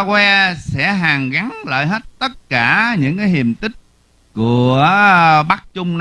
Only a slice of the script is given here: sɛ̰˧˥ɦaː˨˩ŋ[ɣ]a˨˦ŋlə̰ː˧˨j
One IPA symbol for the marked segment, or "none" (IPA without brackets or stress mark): ɣ